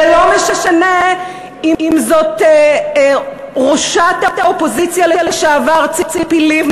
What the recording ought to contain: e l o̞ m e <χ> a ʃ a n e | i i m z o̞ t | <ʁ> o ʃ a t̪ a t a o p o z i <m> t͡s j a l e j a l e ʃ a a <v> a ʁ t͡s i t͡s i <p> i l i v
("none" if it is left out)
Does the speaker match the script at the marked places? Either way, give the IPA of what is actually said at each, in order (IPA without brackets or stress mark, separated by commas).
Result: ʃ, ʁ, none, v, p